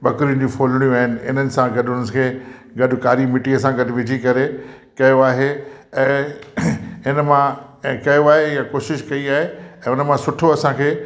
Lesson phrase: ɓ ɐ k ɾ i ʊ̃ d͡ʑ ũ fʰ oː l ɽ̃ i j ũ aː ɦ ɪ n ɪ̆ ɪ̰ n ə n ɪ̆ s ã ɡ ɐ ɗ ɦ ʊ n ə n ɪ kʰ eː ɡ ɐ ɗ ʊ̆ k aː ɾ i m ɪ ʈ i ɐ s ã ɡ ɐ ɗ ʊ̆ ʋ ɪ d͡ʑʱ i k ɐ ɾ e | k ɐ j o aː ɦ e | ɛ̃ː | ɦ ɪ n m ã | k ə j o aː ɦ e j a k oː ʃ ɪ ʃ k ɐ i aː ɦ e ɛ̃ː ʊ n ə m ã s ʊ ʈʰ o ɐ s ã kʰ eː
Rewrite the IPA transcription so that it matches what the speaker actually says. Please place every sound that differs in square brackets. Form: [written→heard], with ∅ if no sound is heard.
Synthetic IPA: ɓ ɐ k ɾ i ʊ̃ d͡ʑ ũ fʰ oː l ɽ̃ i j ũ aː ɦ ɪ n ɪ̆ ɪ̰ n ə n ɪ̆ s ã ɡ ɐ ɗ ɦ ʊ n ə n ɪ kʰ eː ɡ ɐ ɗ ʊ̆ k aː ɾ i m ɪ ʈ i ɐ s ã ɡ ɐ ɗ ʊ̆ ʋ ɪ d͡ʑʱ i k ɐ ɾ e | k ɐ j o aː ɦ e | ɛ̃ː | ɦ ɪ n m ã | k [ə→ɐ] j o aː ɦ e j a k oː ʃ ɪ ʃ k ɐ i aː ɦ e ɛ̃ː ʊ n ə m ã s ʊ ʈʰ o ɐ s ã kʰ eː